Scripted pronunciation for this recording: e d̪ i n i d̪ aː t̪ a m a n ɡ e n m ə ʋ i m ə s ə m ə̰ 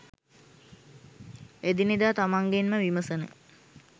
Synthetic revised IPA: e d̪ i n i d̪ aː t̪ a m a ŋ ɡ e n m ə ʋ i m ə s ə n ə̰